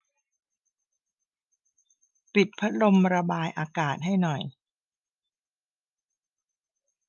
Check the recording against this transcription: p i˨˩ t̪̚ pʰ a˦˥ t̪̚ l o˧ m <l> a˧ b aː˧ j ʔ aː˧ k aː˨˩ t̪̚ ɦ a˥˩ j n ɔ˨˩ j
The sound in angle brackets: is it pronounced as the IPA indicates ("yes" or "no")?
no